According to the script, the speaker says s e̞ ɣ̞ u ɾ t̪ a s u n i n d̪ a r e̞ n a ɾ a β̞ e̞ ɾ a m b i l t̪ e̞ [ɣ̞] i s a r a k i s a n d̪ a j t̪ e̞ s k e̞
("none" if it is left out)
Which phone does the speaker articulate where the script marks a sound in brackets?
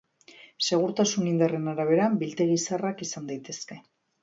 ɣ̞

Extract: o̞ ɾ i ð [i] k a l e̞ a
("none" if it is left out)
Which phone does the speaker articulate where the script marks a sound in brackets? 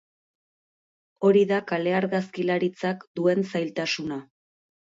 a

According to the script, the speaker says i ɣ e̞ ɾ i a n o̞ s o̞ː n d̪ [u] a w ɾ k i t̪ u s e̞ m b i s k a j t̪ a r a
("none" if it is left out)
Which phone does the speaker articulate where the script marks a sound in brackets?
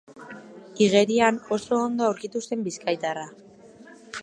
o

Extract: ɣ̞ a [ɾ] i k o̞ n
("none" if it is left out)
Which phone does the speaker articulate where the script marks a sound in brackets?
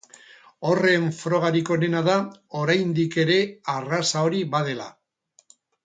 ɾ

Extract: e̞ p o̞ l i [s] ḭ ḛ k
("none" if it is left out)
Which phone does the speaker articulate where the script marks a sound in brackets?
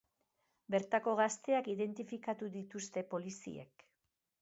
s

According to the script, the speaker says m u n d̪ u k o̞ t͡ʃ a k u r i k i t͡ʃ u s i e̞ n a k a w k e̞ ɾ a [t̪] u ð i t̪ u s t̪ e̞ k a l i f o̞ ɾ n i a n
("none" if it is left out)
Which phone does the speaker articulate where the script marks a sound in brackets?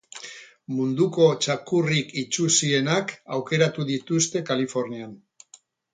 t̪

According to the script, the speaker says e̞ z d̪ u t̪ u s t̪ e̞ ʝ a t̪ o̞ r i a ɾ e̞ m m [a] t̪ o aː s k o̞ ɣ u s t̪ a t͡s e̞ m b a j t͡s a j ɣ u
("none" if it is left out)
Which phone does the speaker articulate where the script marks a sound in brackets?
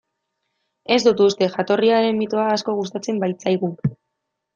i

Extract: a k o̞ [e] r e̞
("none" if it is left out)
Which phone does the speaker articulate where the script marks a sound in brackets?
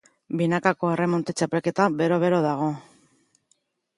e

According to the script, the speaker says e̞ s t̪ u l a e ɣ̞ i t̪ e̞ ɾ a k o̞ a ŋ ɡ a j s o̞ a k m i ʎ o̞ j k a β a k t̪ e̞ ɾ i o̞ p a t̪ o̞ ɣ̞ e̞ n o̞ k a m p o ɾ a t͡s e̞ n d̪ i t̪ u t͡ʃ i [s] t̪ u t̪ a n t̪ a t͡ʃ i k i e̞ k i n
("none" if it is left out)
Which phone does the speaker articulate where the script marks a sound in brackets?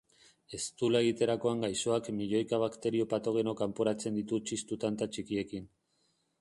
s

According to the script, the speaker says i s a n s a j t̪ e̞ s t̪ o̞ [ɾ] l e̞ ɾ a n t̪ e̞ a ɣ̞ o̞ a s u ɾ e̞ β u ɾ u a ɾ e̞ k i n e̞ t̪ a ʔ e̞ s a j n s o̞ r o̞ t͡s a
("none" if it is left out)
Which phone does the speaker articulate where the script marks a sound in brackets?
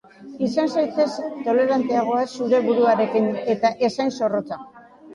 none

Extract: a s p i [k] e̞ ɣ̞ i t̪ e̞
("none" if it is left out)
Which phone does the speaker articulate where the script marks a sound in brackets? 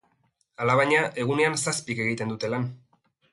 k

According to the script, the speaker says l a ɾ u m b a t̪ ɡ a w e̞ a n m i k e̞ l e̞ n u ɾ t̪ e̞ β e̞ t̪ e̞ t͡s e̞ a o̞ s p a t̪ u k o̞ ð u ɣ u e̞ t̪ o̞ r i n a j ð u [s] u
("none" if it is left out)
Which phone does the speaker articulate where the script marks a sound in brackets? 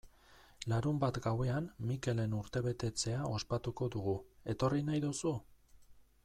s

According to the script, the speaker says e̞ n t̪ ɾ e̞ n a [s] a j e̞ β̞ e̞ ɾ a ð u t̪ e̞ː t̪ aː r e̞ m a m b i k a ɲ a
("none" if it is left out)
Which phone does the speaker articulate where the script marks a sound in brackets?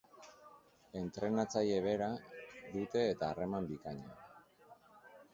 t͡s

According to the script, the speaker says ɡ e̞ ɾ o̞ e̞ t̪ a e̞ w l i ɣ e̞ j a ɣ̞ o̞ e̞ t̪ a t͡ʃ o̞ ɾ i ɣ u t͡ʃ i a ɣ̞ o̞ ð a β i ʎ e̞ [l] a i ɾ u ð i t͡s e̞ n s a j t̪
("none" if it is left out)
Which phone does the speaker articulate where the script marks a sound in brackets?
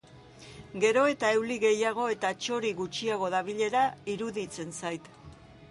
ɾ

